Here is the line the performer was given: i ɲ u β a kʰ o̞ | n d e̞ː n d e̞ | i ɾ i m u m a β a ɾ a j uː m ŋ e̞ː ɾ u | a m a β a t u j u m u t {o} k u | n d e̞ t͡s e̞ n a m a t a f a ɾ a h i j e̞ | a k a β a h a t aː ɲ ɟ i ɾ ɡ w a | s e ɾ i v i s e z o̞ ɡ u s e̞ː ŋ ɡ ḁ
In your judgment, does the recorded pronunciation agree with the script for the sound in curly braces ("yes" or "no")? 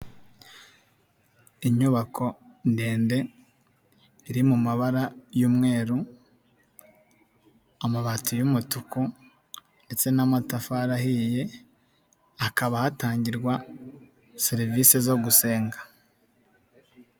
no